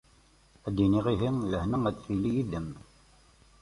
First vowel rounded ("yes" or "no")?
no